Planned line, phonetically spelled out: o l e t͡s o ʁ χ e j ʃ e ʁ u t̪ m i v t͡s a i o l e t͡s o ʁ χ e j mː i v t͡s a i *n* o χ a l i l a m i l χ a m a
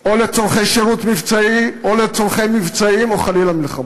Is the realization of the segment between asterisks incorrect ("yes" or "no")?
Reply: yes